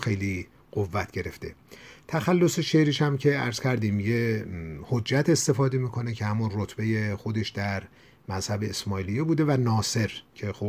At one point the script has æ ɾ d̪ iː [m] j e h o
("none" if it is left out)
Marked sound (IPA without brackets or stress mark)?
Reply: m